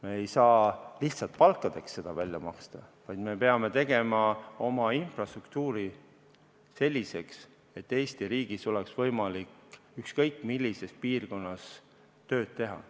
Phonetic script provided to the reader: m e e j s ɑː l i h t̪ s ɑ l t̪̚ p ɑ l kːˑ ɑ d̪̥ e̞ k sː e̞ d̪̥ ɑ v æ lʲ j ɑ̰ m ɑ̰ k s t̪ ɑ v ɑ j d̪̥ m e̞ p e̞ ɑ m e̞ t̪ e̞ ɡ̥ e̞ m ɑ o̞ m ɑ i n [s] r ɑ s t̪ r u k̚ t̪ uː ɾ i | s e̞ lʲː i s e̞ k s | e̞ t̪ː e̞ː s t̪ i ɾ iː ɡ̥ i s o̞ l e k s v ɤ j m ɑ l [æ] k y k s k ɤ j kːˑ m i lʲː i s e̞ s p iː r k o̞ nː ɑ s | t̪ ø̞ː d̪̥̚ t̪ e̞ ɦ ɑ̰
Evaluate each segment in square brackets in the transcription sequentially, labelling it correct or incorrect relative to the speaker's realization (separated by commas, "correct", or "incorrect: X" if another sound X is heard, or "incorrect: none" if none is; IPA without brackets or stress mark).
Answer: incorrect: f, incorrect: i